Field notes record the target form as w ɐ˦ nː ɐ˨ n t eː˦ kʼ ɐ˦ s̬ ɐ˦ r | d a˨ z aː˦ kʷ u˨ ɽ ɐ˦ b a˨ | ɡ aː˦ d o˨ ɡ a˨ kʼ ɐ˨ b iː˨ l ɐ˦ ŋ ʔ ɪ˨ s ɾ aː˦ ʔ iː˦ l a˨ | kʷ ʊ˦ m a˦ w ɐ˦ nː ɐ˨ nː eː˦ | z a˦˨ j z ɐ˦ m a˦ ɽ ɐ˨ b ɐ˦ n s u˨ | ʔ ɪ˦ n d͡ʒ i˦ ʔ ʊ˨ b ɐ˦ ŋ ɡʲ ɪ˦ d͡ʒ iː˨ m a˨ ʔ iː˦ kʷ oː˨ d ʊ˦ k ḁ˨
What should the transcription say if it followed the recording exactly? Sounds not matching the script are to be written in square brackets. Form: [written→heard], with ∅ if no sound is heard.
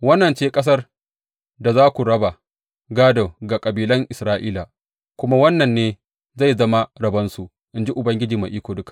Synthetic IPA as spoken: w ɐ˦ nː ɐ˨ n [t→t͡ʃ] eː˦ kʼ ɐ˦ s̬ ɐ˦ r | d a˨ z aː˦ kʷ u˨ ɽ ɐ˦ b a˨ | ɡ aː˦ d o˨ ɡ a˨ kʼ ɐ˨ b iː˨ l ɐ˦ ŋ ʔ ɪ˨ s ɾ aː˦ ʔ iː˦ l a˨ | kʷ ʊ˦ m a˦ w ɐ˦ nː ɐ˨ nː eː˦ | z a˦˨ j z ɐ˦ m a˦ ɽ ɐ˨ b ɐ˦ n s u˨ | ʔ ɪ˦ n d͡ʒ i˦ ʔ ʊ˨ b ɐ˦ ŋ ɡʲ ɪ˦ d͡ʒ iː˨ m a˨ ʔ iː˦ kʷ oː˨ d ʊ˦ k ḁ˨